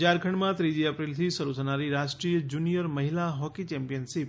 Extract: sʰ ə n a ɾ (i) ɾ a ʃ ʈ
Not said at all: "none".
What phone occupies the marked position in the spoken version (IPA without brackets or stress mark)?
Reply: i